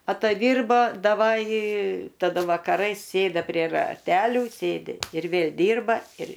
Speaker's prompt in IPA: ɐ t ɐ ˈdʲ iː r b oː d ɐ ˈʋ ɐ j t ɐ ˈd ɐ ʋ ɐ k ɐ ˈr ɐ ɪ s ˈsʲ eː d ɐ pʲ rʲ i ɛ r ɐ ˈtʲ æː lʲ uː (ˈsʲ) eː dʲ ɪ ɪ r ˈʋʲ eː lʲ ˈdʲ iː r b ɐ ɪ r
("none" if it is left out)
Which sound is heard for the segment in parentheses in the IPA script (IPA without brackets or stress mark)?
sʲ